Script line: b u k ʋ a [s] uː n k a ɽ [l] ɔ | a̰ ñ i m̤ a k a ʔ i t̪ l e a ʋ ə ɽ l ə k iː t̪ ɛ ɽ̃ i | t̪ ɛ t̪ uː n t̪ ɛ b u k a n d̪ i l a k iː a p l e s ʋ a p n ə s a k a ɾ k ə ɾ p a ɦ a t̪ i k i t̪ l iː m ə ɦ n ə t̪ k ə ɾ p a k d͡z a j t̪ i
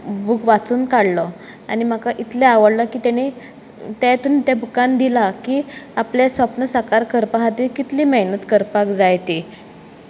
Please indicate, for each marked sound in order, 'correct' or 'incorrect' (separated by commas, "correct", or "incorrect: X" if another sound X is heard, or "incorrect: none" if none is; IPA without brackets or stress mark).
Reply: incorrect: t͡s, correct